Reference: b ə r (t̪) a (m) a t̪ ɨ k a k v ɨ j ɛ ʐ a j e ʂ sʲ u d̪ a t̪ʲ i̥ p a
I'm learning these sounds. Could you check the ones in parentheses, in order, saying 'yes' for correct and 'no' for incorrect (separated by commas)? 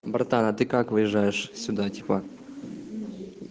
yes, no